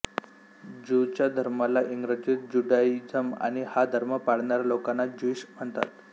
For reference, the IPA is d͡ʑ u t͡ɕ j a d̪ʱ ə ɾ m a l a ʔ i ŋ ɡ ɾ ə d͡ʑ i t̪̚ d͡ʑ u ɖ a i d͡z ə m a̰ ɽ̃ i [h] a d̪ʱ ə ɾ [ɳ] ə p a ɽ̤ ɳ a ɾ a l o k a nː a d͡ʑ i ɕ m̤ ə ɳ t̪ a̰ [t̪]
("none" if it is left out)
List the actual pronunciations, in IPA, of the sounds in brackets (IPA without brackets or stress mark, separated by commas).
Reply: h, m, t̪